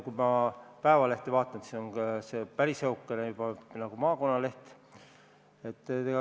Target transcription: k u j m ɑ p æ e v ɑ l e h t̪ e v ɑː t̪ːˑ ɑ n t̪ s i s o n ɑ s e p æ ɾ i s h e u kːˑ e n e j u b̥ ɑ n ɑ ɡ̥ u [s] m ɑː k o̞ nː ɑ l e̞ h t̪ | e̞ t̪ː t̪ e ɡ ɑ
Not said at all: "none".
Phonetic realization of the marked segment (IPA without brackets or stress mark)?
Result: none